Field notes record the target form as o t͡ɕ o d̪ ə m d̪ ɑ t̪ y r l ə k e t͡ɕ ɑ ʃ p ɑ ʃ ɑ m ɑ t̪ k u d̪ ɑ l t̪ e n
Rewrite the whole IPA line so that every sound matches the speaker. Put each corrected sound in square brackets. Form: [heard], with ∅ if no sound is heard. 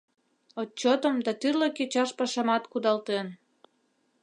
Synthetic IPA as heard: o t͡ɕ o [t̪] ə m d̪ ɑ t̪ y r l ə k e t͡ɕ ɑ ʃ p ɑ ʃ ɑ m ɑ t̪ k u d̪ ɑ l t̪ e n